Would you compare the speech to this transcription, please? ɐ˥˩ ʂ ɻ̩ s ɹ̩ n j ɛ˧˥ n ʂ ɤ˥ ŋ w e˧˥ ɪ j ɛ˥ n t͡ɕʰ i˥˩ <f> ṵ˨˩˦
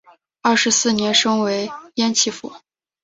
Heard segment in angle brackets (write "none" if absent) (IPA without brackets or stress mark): f